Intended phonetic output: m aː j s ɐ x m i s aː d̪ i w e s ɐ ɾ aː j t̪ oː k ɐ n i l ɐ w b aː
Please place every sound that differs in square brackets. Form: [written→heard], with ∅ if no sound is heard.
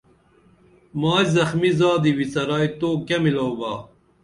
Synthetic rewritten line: m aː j [s→z] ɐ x m i [s→z] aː d̪ i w [e→i] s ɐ ɾ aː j t̪ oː k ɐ [n→m] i l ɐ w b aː